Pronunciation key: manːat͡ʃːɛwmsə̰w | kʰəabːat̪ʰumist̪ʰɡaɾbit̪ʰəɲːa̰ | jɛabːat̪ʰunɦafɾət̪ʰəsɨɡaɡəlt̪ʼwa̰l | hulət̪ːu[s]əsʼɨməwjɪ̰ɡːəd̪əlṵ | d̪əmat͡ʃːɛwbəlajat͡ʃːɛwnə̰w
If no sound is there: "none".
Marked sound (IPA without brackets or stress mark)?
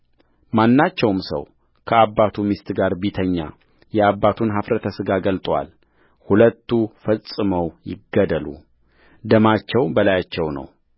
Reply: f